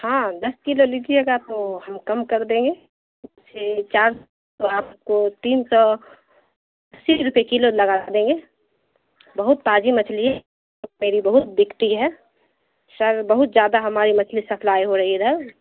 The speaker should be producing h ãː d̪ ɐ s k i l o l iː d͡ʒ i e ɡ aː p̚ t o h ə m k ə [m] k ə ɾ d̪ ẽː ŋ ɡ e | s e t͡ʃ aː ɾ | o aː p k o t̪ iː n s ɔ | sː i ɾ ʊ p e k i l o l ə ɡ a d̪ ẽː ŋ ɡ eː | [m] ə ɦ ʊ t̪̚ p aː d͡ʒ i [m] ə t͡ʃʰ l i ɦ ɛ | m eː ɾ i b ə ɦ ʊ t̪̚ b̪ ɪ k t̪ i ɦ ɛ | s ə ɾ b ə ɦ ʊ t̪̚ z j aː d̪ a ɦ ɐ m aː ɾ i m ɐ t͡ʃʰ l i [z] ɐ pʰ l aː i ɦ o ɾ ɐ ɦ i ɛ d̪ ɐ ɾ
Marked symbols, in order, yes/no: yes, no, yes, no

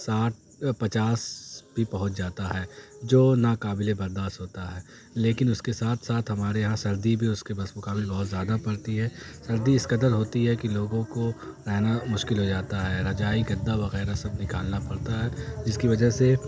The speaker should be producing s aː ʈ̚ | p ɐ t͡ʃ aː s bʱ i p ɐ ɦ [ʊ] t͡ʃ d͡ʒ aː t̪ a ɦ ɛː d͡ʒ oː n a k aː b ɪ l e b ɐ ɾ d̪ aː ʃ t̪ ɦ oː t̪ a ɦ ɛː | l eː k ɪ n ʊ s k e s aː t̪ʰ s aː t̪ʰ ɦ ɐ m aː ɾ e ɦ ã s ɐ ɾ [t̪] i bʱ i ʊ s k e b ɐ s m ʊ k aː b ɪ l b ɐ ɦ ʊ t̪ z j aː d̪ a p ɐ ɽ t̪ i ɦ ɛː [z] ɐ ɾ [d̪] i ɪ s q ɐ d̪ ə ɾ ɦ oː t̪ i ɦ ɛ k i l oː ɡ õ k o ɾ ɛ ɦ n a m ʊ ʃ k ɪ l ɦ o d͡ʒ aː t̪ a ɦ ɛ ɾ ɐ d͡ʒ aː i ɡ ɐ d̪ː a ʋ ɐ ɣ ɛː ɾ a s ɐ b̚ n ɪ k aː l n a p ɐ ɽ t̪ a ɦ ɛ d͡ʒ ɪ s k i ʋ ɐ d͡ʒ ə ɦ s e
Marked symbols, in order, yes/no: yes, no, no, yes

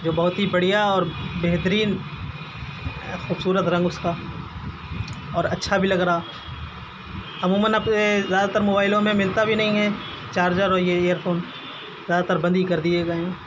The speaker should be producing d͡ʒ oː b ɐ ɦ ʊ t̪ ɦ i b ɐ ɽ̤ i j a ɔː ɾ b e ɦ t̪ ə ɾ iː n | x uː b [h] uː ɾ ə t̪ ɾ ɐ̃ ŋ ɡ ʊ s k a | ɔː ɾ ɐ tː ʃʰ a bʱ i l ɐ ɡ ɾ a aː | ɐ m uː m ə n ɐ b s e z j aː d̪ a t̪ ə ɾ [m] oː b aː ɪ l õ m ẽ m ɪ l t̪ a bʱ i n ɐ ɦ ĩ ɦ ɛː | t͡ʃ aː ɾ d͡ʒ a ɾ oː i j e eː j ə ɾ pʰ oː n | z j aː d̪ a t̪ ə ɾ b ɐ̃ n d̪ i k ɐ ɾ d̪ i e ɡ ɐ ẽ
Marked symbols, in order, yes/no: no, yes

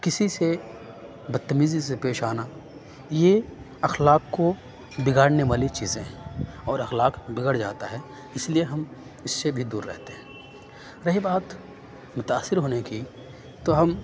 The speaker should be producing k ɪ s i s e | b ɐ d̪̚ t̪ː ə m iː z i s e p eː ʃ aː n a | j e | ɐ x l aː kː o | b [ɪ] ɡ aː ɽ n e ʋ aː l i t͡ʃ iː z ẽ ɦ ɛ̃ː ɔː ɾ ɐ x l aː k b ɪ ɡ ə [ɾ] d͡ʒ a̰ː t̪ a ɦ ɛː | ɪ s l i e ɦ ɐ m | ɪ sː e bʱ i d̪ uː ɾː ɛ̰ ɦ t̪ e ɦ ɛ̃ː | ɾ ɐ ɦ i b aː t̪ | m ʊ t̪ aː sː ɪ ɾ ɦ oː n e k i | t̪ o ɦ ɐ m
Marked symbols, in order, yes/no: yes, no

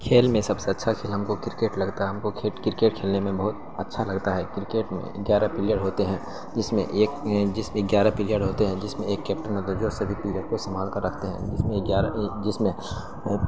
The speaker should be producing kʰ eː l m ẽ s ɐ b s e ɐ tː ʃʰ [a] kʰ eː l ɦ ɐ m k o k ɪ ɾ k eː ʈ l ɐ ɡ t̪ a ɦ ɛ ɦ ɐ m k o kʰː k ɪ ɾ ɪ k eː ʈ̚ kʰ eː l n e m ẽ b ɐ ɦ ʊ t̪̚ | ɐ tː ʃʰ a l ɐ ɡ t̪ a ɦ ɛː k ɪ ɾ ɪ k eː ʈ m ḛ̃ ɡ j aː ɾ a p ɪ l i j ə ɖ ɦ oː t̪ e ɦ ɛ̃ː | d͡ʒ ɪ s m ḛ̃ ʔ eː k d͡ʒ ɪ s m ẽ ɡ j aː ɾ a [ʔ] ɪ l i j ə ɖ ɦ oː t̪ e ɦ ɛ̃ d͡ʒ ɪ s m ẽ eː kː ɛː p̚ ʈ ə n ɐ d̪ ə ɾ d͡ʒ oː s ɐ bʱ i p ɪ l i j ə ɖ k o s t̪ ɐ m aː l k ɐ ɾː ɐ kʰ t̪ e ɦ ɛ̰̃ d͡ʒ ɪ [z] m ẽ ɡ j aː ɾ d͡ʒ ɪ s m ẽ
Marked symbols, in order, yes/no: yes, no, no

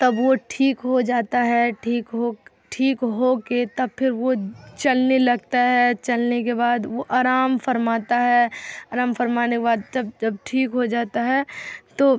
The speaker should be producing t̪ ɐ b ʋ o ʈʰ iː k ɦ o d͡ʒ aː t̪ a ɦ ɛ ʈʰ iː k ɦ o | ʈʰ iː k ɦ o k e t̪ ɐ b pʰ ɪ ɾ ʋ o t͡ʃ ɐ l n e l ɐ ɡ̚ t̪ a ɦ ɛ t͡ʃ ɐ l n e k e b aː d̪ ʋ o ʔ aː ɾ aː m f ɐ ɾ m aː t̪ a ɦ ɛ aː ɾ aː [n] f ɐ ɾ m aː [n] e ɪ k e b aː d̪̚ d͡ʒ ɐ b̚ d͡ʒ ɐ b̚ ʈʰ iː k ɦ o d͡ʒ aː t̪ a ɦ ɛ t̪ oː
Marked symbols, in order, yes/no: no, yes

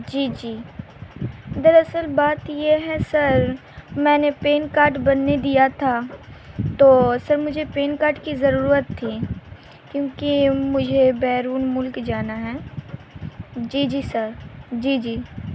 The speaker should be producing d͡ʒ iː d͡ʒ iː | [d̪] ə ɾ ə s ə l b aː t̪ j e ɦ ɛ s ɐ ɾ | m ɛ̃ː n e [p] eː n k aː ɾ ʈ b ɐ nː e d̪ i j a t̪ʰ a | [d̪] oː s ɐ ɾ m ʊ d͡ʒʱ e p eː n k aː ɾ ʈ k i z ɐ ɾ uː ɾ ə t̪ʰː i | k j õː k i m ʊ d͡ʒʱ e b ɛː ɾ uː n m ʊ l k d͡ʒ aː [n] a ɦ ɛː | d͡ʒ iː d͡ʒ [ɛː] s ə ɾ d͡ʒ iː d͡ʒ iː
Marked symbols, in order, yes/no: yes, yes, no, yes, no

